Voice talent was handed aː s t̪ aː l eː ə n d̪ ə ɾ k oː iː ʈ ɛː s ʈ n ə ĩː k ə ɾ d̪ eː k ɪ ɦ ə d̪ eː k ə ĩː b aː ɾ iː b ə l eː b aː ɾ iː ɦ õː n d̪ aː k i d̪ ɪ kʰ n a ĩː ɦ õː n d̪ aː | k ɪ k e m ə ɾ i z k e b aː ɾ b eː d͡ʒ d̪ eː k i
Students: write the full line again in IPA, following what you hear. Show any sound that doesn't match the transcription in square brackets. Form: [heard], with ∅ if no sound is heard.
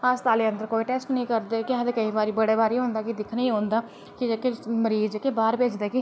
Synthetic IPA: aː s t̪ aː l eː ə n d̪ ə ɾ k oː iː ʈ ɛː s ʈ n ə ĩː k ə ɾ d̪ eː k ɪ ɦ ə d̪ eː k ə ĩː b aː ɾ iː b ə [ɽ] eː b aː ɾ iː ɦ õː n d̪ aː k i d̪ ɪ kʰ n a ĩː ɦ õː n d̪ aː | k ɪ k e m ə ɾ [iː] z k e b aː ɾ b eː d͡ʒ d̪ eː k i